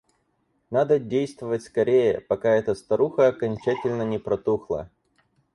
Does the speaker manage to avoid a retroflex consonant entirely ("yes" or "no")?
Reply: yes